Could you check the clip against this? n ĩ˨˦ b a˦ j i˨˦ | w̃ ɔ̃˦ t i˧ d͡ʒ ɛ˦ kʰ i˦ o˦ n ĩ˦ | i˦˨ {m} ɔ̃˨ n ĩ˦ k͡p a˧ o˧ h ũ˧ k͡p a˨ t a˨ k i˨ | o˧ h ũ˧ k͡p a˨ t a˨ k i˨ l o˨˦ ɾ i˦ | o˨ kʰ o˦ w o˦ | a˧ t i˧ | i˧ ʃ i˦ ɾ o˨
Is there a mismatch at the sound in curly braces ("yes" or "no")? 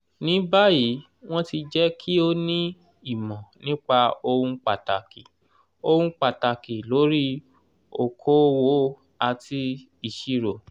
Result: no